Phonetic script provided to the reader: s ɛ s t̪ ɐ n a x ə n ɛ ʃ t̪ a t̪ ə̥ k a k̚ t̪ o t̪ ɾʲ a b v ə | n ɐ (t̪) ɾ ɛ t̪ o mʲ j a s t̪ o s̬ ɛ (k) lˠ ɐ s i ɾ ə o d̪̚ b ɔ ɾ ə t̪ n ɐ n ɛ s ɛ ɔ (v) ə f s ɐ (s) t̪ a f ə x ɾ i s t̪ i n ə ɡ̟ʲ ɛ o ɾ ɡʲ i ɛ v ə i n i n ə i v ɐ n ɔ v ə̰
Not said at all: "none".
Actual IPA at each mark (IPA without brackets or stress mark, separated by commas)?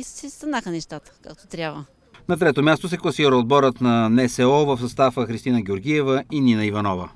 t̪, k, v, s